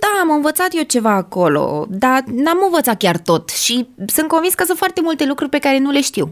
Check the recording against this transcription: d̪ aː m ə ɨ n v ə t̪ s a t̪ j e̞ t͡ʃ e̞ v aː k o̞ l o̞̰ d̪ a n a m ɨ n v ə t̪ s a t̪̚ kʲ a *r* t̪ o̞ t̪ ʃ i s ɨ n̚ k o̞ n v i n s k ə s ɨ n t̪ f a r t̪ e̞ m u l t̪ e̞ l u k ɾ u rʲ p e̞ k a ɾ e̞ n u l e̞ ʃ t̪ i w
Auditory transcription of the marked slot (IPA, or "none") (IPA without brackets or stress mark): r